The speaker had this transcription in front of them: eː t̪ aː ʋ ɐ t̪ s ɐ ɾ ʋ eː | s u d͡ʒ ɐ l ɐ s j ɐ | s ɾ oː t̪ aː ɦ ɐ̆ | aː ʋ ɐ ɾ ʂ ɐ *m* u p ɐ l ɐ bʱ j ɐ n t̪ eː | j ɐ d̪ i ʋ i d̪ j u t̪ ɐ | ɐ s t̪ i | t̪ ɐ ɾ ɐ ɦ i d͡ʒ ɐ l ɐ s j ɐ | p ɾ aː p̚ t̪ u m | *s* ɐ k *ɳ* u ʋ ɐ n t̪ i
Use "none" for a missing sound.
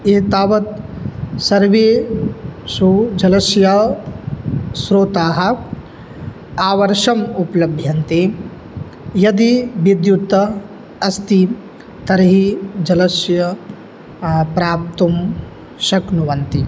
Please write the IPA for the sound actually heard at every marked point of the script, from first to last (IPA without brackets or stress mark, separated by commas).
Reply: m, ʃ, n